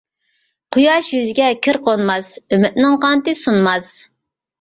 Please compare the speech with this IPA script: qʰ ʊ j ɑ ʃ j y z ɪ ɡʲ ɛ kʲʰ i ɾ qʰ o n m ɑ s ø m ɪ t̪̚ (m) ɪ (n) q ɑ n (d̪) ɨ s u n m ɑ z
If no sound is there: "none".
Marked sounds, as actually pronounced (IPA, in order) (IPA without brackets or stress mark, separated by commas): n, ŋ, t̪